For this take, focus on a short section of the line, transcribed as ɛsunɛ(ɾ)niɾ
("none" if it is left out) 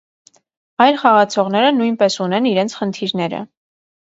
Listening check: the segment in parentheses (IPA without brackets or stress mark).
none